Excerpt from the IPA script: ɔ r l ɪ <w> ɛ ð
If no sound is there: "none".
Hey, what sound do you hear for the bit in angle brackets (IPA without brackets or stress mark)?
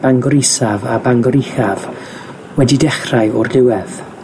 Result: w